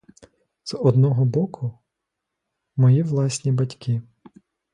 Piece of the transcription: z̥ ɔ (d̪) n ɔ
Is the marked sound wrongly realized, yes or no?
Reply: no